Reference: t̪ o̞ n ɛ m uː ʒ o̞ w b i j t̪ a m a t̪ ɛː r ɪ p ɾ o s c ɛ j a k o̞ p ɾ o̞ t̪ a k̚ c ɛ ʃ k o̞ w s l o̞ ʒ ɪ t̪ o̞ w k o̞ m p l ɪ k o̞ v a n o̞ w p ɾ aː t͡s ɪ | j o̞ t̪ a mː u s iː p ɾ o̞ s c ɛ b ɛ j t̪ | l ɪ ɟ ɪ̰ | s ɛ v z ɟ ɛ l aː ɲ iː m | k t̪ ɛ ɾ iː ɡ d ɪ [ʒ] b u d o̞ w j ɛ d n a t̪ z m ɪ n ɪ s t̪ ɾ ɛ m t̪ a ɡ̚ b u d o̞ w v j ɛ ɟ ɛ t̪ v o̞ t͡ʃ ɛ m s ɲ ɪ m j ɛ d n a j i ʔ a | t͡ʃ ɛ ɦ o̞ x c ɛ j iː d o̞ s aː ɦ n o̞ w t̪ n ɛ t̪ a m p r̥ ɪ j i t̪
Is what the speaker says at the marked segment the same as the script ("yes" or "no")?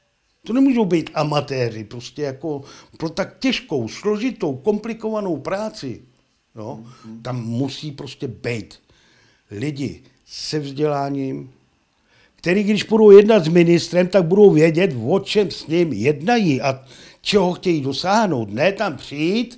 no